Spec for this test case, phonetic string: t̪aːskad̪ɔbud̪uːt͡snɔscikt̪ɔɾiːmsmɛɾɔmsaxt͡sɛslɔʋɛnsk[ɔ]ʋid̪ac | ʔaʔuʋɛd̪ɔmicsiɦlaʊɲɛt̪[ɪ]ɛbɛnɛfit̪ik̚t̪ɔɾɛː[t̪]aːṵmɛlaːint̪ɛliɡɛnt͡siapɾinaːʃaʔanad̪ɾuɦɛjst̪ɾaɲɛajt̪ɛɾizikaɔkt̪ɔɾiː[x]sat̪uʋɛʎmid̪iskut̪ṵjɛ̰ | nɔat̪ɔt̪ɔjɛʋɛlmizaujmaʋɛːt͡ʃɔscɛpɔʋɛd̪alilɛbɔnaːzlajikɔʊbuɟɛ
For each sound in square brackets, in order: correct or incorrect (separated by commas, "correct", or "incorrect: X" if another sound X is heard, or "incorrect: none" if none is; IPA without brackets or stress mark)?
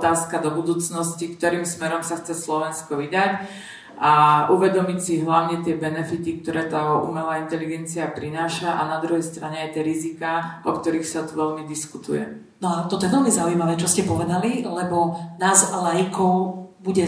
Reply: correct, correct, correct, correct